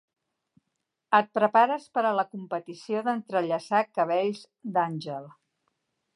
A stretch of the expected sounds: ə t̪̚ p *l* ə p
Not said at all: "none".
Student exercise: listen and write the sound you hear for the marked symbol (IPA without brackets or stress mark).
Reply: ɾ